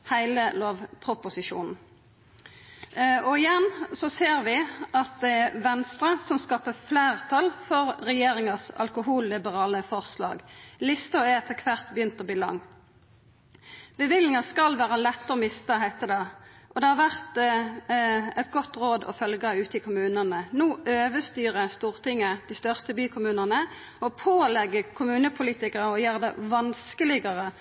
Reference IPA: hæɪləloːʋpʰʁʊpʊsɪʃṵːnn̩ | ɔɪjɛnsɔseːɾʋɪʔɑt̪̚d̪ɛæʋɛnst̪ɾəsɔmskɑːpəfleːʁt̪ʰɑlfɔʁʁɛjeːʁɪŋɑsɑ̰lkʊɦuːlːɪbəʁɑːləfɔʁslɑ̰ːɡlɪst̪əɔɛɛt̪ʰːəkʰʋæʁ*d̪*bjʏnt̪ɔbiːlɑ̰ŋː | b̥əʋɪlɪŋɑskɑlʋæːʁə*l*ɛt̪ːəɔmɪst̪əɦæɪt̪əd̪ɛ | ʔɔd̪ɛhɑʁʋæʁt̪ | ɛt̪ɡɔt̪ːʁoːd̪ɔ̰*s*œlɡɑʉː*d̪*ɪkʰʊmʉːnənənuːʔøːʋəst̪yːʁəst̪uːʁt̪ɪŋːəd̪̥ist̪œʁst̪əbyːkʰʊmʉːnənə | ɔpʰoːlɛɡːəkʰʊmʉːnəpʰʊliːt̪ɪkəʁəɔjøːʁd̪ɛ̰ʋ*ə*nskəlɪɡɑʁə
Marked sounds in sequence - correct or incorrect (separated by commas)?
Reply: incorrect, correct, incorrect, incorrect, incorrect